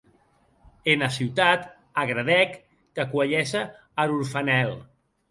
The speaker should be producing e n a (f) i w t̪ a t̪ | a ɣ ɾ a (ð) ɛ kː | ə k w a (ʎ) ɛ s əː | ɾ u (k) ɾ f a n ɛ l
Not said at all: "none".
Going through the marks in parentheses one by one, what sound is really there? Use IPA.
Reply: s, ð, ʎ, none

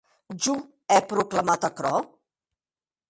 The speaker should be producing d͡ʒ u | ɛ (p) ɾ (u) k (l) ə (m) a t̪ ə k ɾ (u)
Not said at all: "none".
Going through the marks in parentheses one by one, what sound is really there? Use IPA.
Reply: p, u, l, m, ɔ

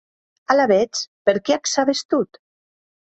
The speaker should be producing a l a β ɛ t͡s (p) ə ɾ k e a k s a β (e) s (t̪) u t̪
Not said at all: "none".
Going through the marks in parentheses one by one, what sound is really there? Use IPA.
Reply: p, e, t̪

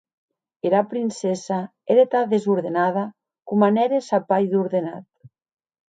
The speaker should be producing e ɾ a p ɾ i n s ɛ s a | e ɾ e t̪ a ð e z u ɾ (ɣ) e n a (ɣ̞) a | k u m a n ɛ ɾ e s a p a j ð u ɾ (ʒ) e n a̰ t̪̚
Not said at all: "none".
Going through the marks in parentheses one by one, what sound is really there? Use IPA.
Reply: ð, ð̞, ð

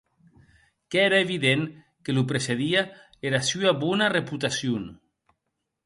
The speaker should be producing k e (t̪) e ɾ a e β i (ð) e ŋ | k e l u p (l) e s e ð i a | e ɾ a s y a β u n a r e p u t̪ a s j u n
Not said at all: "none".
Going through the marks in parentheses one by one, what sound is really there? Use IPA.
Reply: none, ð, ɾ

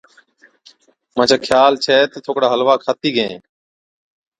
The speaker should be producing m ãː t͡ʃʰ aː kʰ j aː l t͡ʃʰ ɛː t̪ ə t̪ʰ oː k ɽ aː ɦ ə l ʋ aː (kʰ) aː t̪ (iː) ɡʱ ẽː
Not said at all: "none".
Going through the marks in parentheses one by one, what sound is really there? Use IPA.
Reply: kʰ, iː

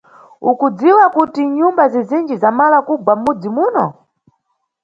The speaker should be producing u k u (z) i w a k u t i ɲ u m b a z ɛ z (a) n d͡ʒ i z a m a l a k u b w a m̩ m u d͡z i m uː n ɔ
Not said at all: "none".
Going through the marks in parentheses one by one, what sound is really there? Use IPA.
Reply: d͡z, i

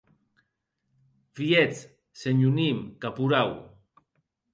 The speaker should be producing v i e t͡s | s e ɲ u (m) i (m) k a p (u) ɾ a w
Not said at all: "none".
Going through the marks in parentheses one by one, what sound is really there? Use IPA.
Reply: n, m, u

